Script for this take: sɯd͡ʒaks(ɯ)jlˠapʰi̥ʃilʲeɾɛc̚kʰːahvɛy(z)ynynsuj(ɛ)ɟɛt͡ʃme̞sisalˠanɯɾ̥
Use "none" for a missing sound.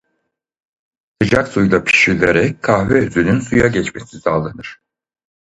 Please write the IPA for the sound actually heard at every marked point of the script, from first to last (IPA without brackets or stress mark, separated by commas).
u, z, a